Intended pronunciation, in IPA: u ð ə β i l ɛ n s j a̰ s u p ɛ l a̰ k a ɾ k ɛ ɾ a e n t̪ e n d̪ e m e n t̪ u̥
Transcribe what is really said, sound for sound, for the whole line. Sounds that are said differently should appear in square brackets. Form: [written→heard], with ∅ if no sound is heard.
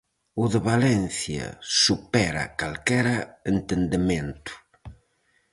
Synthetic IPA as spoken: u ð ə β [i→a] l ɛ n [s→θ] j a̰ s u p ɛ [l→ɾ] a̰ k a [ɾ→l] k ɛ ɾ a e n t̪ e n d̪ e m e n t̪ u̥